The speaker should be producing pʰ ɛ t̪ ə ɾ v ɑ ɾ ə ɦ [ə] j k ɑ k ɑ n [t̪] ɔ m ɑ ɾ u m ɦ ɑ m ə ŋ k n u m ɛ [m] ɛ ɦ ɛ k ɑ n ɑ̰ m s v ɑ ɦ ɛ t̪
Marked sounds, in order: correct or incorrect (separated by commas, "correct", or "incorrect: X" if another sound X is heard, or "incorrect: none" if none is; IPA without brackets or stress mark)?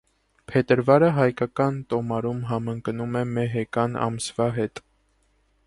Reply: incorrect: ɑ, correct, correct